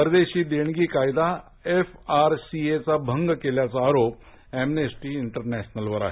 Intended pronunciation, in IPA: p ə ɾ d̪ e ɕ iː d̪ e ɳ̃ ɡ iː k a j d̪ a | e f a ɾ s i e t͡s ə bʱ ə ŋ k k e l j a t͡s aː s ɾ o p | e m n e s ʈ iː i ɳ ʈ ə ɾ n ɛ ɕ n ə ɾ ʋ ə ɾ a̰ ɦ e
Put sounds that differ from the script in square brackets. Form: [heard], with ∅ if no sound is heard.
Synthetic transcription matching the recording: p ə ɾ d̪ e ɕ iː d̪ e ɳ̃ ɡ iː k a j d̪ a | e f a ɾ s i e t͡s [a] bʱ ə ŋ [ɡ] k e l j a t͡s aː [∅] ɾ o p | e m n e s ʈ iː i ɳ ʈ ə ɾ n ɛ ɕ n ə [l] ʋ ə ɾ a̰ ɦ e